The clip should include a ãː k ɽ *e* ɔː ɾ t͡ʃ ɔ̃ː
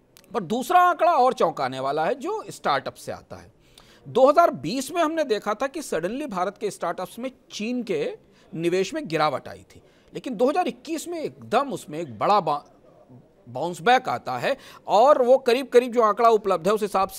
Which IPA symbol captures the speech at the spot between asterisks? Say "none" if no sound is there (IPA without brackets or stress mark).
a